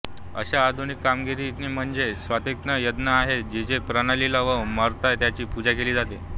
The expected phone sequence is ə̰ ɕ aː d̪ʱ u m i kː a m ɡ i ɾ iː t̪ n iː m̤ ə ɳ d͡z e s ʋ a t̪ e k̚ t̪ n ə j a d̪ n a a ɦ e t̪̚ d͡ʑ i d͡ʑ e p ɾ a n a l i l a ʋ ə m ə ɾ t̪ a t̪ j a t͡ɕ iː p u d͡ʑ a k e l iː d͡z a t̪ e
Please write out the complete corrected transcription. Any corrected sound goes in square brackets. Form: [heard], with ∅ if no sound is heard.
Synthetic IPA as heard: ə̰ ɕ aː d̪ʱ u [n] i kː a m ɡ i ɾ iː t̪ n iː m̤ ə ɳ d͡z e s ʋ a t̪ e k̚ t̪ n ə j [ə] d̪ n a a ɦ e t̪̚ d͡ʑ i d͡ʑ e p ɾ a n a l i l a ʋ ə m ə ɾ t̪ a t̪ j a t͡ɕ iː p u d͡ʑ a k e l iː d͡z a t̪ e